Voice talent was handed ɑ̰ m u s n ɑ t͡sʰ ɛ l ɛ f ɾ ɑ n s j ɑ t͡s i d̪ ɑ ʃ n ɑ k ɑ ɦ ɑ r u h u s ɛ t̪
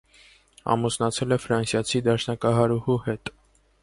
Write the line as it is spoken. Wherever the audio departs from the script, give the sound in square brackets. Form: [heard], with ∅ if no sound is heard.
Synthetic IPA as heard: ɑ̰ m u s n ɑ t͡sʰ ɛ l ɛ f ɾ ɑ n s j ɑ [t͡sʰ] i d̪ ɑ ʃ n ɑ k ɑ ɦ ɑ [ɾ] u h u [h] ɛ t̪